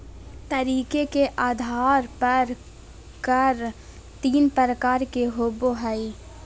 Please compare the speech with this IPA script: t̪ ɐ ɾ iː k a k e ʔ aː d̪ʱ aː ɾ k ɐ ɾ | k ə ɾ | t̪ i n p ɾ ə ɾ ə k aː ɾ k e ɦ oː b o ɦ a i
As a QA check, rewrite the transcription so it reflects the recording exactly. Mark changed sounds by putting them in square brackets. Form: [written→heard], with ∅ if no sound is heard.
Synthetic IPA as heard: t̪ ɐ ɾ iː k [a→e] k e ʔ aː d̪ʱ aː ɾ [k→p] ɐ ɾ | k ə ɾ | t̪ [i→iː] n p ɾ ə ɾ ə k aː ɾ k e ɦ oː b o ɦ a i